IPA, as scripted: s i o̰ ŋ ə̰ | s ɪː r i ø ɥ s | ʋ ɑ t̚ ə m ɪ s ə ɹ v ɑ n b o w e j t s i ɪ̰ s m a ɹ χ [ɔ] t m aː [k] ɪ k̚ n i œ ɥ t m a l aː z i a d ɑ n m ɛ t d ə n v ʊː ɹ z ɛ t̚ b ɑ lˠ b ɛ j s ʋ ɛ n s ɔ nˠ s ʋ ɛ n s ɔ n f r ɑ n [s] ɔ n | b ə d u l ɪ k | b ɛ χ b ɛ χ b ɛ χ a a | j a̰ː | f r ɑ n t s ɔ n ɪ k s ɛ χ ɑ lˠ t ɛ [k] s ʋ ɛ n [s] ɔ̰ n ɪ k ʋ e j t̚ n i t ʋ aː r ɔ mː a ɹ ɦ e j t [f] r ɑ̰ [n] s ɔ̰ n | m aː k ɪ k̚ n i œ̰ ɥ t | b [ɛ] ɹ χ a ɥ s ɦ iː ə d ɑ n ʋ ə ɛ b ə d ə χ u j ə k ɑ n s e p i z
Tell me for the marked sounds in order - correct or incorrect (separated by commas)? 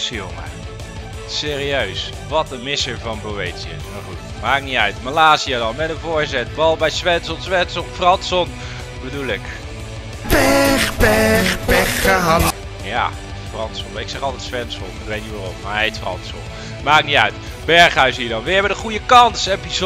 incorrect, correct, correct, incorrect, correct, correct, correct, correct